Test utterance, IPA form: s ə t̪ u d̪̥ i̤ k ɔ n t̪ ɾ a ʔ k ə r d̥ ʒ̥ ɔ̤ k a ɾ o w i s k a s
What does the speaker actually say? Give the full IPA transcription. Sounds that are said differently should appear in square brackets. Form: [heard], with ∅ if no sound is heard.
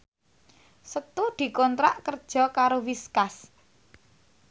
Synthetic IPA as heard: s ə t̪ u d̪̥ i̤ k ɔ n t̪ ɾ a ʔ k ə r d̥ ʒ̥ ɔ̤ k a ɾ o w i s k a s